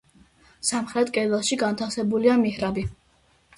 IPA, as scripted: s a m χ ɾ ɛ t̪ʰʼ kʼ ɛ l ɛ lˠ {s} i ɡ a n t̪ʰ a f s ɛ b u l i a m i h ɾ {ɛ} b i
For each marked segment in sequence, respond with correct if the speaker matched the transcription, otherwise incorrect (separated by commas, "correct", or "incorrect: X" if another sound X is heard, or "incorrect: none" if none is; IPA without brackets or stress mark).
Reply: incorrect: ʃ, incorrect: a